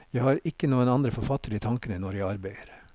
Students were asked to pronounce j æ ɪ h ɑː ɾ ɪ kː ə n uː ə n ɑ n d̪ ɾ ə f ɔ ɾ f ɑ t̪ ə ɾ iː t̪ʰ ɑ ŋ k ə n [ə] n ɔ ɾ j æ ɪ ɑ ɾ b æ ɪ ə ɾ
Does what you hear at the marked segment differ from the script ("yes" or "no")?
no